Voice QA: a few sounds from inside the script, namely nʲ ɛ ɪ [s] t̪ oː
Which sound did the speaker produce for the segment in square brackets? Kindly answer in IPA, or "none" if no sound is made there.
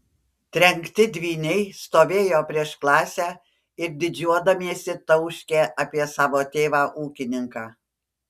s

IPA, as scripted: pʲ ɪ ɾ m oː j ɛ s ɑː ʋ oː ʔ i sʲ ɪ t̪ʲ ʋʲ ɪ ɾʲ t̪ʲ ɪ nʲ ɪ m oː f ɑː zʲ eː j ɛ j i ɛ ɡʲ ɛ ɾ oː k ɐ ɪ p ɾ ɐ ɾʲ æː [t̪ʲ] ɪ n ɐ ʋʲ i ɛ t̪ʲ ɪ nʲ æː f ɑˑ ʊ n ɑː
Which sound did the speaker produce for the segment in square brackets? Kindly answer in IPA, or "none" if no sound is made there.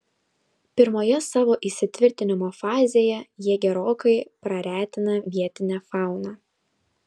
t̪ʲ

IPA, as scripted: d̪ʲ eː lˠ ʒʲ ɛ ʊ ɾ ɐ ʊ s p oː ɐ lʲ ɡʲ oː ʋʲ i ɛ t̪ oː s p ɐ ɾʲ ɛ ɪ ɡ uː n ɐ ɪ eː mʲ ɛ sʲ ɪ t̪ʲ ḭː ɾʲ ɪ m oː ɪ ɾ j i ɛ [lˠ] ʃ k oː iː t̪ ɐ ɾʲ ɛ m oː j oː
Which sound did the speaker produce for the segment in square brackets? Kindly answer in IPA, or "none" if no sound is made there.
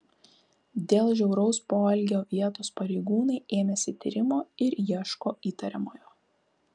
none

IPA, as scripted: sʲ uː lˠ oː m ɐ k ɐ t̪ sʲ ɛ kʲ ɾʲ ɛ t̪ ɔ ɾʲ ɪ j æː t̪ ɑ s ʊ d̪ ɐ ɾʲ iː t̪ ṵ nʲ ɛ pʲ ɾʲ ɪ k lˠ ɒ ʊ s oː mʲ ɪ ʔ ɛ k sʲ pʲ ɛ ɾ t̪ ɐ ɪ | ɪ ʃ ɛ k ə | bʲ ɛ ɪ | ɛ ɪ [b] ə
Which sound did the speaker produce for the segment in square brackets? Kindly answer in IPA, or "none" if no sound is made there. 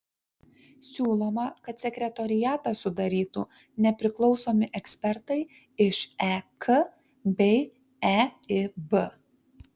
b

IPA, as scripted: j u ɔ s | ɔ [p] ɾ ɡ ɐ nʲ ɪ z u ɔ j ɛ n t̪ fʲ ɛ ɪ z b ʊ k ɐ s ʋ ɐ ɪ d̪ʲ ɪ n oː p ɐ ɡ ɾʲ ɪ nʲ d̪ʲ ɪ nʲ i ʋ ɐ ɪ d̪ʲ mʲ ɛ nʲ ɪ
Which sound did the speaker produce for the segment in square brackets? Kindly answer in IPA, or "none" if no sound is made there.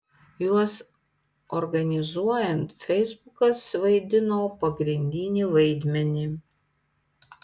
none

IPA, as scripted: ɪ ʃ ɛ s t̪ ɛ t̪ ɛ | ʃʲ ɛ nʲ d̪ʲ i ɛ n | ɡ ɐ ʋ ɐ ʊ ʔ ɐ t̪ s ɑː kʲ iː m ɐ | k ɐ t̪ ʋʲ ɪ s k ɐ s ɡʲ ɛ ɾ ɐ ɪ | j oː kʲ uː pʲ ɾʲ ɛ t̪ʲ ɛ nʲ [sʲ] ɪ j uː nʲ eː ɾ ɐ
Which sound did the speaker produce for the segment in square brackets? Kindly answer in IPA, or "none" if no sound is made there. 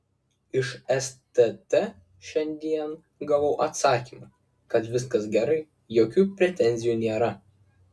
zʲ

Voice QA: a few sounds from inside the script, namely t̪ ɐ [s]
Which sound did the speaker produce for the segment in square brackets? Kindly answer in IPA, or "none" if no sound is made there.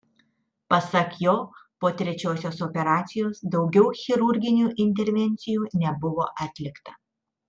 none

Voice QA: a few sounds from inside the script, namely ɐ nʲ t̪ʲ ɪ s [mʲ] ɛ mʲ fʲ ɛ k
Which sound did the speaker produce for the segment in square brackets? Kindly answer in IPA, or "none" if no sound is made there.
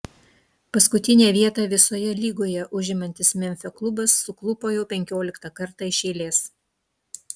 mʲ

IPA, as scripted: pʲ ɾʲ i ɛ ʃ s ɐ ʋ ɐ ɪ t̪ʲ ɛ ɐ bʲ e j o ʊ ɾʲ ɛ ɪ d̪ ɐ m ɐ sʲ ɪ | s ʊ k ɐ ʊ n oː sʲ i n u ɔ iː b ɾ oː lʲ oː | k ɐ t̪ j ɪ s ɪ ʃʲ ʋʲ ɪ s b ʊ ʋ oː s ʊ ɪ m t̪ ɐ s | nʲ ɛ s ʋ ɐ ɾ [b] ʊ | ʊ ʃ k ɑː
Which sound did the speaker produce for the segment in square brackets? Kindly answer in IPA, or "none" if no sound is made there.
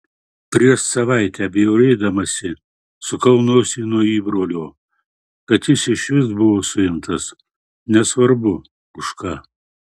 b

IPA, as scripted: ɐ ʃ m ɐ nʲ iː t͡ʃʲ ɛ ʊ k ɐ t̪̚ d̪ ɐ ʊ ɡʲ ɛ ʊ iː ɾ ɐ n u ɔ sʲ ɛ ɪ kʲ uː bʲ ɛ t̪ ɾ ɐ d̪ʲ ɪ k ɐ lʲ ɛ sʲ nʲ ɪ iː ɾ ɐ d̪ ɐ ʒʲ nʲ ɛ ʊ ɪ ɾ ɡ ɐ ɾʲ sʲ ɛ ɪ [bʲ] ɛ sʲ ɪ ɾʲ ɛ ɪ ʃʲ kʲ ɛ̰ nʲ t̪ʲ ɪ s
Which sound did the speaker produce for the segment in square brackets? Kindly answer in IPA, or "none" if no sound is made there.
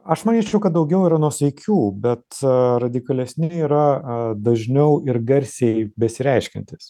bʲ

